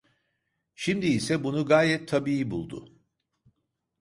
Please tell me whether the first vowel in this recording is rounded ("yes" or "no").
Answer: no